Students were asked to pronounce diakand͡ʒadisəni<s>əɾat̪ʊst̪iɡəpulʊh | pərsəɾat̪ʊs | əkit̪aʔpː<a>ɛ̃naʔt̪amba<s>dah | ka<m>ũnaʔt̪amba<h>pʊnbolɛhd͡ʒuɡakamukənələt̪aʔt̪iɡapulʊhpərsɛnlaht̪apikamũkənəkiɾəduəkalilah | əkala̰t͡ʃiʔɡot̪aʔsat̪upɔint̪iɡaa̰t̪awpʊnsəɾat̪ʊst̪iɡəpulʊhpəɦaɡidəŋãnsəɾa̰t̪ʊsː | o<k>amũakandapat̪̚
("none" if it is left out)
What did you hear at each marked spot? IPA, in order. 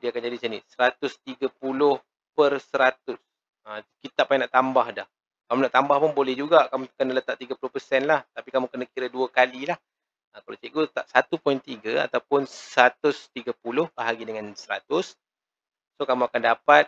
s, a, h, m, h, k

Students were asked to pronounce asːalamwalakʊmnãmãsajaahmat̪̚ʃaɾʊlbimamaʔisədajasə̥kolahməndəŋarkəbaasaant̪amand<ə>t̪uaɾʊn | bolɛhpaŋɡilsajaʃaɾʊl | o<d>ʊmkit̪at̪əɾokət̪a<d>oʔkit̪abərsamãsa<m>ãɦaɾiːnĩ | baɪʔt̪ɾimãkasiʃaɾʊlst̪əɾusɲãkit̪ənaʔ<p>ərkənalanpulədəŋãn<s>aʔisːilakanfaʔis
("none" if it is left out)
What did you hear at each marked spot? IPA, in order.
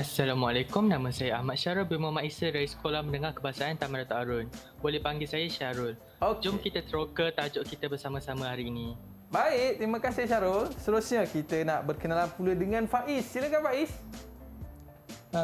a, d͡ʒ, d͡ʒ, m, b, f

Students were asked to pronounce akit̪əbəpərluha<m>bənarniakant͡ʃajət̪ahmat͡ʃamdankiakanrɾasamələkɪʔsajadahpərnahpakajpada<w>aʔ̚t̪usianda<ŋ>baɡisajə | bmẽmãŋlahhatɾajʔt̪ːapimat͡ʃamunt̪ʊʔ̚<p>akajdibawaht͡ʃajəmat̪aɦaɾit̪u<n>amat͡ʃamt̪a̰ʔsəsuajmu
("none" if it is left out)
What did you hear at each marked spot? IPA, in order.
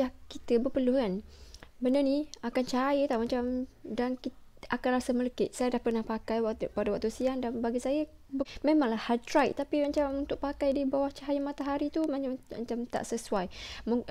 n, w, n, p, m

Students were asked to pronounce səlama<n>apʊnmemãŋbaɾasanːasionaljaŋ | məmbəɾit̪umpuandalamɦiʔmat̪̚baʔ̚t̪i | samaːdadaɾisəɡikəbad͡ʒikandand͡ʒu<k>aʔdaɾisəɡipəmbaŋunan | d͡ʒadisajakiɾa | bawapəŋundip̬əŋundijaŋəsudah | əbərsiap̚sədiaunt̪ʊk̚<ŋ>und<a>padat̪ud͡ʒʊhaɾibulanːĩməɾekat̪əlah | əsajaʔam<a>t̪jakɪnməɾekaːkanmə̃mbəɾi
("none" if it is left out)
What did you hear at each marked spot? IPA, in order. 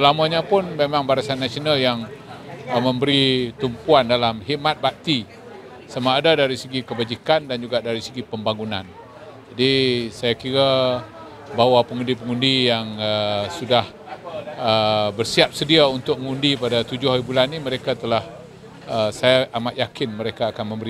ɲ, ɡ, ŋ, i, a

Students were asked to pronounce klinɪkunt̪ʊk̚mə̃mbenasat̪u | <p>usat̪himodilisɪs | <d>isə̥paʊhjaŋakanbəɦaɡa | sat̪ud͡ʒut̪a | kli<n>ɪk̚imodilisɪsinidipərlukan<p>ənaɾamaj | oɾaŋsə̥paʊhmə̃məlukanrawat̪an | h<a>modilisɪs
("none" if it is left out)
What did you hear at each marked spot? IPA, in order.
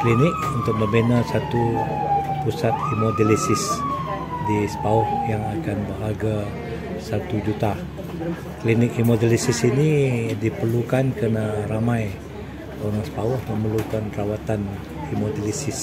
p, d, n, k, i

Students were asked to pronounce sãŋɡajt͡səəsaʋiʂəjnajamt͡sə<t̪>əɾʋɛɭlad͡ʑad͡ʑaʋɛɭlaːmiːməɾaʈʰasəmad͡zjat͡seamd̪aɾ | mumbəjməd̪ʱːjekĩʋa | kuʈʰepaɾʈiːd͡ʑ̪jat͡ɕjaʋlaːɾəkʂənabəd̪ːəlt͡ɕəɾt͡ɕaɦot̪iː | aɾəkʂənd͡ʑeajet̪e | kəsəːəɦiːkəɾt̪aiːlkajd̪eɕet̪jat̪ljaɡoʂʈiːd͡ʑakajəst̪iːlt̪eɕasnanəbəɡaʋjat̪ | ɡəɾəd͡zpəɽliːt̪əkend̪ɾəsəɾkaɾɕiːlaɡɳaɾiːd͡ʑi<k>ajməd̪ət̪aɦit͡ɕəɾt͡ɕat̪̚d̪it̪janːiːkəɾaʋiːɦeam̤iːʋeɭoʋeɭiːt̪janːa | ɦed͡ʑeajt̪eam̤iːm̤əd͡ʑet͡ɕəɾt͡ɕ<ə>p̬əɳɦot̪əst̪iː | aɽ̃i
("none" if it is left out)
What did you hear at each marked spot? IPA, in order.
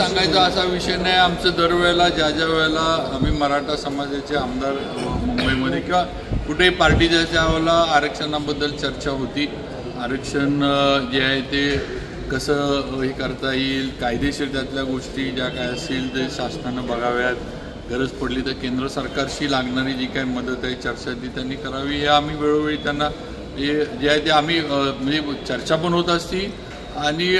d̪, k, a

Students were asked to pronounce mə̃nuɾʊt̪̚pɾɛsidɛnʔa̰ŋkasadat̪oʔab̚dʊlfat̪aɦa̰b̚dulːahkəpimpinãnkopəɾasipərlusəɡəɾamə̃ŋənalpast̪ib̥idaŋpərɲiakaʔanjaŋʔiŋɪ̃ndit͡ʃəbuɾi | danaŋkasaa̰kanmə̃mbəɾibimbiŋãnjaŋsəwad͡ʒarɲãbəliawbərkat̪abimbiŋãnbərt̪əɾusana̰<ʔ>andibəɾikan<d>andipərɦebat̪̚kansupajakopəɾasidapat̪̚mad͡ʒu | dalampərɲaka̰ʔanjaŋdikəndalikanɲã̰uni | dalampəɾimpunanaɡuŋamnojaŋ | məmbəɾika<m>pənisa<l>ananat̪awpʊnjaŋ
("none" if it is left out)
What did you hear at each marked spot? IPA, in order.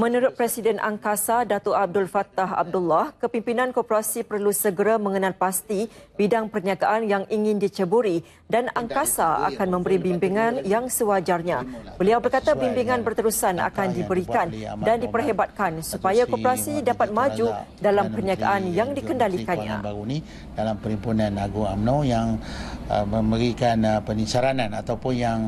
k, d, n, ɾ

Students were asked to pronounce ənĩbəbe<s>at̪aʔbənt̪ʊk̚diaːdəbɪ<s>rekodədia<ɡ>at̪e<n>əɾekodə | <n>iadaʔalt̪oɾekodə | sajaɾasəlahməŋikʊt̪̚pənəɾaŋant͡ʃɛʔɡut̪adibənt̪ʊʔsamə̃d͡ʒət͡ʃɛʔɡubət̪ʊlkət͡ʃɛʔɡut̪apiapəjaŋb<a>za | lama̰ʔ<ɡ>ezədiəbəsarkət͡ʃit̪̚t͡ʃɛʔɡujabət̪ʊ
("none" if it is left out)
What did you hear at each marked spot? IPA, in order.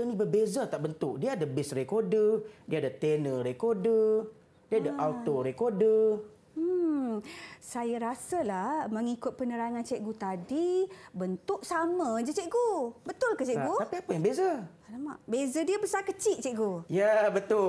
z, s, d, n, d, e, b

